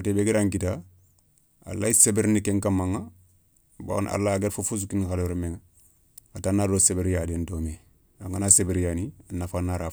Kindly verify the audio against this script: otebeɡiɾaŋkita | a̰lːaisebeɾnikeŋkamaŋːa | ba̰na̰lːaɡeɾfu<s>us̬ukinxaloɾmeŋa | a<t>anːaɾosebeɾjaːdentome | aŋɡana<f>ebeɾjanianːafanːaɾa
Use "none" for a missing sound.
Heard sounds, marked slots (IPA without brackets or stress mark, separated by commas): f, t, s